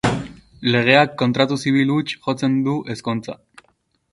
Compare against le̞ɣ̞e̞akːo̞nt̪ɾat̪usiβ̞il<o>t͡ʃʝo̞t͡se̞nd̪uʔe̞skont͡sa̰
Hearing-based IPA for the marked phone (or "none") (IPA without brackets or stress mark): u